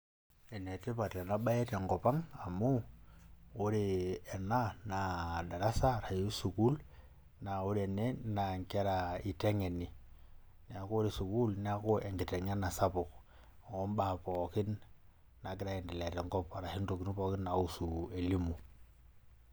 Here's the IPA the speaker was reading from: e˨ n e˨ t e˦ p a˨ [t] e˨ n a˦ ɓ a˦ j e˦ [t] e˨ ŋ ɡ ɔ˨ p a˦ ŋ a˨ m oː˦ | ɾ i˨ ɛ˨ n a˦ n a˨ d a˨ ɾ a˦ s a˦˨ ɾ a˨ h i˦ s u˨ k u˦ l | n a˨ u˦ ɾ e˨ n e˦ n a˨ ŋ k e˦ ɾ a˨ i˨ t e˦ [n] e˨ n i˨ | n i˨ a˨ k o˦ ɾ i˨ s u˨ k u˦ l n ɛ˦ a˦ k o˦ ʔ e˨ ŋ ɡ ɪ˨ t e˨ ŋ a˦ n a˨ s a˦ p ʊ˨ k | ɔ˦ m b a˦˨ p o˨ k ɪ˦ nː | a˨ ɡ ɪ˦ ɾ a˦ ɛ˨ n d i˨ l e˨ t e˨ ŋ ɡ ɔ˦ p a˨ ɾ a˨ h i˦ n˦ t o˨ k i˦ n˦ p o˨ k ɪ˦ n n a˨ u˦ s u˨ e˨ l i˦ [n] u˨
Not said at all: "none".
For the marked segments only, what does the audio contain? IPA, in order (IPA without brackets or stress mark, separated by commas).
t, t, ŋ, m